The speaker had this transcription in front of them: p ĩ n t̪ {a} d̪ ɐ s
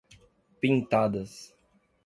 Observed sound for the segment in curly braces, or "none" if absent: a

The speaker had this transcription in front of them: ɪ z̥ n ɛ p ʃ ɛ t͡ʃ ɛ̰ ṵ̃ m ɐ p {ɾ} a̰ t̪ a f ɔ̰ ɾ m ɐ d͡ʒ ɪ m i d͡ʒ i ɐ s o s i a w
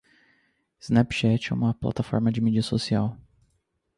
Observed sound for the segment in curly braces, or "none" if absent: l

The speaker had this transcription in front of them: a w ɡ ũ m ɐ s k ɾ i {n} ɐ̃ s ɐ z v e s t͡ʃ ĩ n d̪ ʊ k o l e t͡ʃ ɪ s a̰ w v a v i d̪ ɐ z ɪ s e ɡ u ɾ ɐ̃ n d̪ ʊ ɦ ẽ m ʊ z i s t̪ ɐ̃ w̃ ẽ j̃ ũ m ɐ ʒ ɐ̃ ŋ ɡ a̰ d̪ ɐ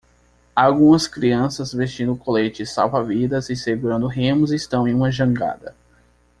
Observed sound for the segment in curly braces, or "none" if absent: none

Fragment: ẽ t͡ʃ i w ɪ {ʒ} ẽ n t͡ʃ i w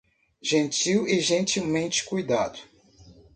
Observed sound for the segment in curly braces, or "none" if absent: ʒ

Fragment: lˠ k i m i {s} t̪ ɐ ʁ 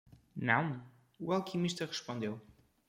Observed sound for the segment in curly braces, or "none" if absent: ʃ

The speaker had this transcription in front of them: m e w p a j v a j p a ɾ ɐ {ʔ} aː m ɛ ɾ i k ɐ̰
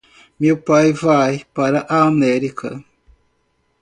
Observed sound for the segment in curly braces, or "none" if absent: ʔ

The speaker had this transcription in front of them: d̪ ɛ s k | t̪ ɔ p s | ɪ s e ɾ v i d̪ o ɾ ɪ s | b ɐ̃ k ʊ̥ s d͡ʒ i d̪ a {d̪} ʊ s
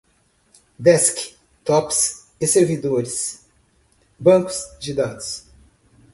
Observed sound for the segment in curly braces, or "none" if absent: d̪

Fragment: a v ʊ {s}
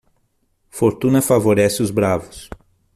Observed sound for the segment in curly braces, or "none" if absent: s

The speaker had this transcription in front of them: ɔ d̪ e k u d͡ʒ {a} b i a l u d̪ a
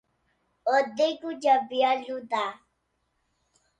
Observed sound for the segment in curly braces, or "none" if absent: a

